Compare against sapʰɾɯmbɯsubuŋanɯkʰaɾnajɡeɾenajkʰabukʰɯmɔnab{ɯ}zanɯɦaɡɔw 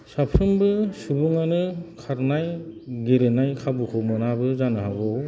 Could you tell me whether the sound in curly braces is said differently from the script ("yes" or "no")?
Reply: no